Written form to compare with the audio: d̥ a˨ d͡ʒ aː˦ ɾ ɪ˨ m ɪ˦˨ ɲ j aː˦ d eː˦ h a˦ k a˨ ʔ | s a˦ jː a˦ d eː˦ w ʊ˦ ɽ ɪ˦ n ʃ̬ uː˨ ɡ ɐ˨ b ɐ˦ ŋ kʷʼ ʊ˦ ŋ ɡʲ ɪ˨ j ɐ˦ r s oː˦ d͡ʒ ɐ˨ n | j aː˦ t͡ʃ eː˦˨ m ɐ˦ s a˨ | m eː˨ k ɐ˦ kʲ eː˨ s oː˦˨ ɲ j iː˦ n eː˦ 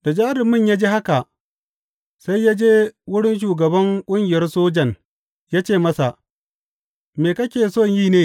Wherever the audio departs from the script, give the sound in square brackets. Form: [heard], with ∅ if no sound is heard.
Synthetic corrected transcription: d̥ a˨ d͡ʒ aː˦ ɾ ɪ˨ m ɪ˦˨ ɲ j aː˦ [d͡ʒ] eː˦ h a˦ k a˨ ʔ | s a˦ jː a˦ [d͡ʒ] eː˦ w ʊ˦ ɽ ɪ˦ n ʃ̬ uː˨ ɡ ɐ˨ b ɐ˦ ŋ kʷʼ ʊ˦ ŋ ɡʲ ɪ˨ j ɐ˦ r s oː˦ d͡ʒ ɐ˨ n | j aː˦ t͡ʃ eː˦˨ m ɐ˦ s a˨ | m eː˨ k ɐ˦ kʲ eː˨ s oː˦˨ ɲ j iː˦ n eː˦